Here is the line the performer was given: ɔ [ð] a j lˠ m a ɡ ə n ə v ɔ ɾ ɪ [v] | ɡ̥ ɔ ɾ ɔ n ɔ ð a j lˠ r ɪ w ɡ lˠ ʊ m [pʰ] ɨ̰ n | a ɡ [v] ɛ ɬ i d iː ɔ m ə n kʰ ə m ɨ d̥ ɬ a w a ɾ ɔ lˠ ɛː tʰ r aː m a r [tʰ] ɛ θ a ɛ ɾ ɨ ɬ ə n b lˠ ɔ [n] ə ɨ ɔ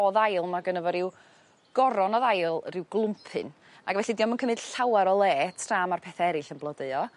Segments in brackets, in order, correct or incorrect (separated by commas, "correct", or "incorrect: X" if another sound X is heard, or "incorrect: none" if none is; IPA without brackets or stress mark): correct, incorrect: w, correct, correct, incorrect: pʰ, incorrect: d